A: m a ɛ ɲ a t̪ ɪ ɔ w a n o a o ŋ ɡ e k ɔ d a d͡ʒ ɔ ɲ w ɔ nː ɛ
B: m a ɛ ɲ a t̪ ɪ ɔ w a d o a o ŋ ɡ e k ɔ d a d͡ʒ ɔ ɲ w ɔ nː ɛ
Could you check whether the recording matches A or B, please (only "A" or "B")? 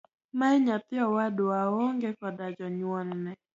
B